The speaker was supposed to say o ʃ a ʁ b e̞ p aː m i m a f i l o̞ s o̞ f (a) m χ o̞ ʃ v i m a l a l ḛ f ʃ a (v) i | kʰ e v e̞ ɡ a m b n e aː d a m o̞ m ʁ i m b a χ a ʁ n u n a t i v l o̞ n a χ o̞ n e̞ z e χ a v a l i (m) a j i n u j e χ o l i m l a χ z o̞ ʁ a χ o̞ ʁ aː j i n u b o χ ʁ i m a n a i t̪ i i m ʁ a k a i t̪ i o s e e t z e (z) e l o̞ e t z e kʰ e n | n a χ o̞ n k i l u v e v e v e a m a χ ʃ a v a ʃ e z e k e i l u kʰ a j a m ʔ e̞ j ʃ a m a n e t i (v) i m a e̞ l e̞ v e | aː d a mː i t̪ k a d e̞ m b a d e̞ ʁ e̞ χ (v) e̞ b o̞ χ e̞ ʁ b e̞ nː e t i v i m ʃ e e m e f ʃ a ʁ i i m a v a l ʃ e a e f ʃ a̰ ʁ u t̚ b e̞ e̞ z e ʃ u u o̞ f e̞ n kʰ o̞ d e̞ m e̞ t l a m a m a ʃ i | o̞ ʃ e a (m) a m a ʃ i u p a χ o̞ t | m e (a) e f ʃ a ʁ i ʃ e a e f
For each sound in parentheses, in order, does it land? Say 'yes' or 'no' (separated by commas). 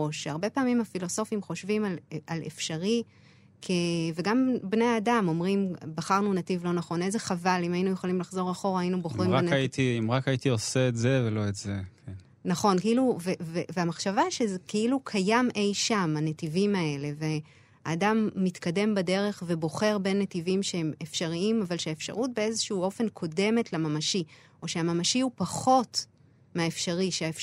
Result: no, no, yes, no, yes, yes, yes, yes